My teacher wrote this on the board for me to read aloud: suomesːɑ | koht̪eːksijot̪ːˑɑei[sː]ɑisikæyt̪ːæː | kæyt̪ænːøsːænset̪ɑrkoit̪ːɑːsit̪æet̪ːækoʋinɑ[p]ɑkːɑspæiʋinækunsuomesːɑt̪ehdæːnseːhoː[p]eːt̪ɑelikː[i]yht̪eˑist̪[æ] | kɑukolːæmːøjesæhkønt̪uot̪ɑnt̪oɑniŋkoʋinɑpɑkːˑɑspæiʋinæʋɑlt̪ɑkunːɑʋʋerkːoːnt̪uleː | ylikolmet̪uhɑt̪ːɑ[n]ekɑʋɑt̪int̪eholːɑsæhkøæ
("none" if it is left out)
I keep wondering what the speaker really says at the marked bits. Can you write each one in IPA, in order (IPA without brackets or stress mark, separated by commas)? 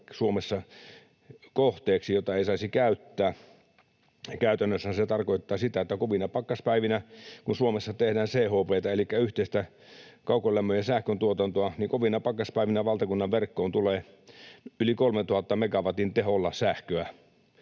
s, p, p, æ, æ, m